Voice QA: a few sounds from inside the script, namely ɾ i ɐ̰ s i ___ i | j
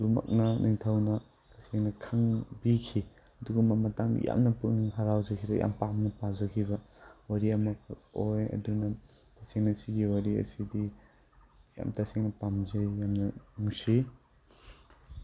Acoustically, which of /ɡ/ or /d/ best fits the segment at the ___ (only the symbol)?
d